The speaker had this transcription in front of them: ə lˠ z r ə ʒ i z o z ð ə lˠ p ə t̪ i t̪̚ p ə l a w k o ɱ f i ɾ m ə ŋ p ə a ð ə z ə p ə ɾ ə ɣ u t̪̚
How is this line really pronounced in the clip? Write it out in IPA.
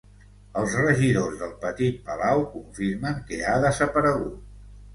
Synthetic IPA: ə lˠ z r ə ʒ i ð o z ð ə lˠ p ə t̪ i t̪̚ p ə l a w k u ɱ f i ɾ m ə ŋ k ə a ð ə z ə p ə ɾ ə ɣ u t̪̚